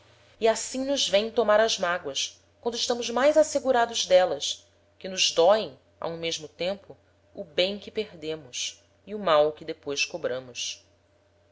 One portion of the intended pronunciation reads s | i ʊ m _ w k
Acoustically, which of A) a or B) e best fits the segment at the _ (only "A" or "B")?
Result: A